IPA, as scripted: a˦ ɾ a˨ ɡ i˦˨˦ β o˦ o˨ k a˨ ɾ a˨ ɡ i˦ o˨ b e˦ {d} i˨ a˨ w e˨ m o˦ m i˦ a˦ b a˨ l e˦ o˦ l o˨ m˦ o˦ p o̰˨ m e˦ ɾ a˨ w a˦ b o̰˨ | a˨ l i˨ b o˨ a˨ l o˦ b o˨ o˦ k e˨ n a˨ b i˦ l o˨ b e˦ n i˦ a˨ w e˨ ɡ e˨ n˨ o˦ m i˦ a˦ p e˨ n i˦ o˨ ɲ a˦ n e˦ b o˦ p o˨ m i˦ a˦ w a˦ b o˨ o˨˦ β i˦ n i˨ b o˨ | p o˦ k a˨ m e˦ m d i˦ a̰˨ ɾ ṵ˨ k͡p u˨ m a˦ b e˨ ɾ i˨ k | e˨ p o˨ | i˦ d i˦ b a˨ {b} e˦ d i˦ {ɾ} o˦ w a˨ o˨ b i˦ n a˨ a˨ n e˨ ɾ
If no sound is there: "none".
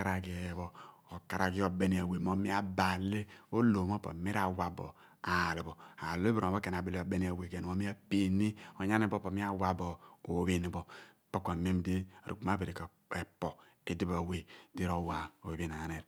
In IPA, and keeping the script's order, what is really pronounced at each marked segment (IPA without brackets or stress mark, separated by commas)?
n, w, ɾ